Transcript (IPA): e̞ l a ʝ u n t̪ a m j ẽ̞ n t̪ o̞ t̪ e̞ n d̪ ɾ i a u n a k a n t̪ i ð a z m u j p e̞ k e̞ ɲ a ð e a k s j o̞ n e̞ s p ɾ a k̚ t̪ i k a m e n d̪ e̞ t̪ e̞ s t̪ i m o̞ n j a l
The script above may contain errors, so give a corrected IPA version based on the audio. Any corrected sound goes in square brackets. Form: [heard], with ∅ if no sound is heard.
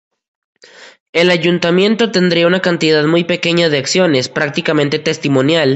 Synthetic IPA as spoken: e̞ l a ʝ u n t̪ a m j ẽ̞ n t̪ o̞ t̪ e̞ n d̪ ɾ i a u n a k a n t̪ i ð a [ð] m u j p e̞ k e̞ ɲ a ð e a k s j o̞ n e̞ s p ɾ a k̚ t̪ i k a m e n [t̪] e̞ t̪ e̞ s t̪ i m o̞ n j a l